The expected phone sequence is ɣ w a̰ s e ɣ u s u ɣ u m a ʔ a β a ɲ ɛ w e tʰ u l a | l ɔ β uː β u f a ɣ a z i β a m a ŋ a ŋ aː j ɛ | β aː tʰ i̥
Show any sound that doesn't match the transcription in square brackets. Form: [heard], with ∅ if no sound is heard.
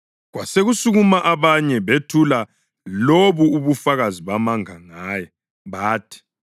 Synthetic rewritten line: ɣ w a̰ s e ɣ u s u ɣ u m a ʔ a β a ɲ ɛ [β] e tʰ u l a | l [o] β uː β u f a ɣ a z i β a m a ŋ a ŋ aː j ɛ | β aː tʰ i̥